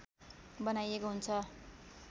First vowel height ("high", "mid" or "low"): mid